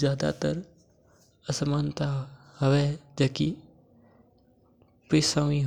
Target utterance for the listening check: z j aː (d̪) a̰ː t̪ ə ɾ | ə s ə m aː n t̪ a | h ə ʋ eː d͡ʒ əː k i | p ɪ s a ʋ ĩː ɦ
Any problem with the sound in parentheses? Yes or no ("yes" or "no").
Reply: no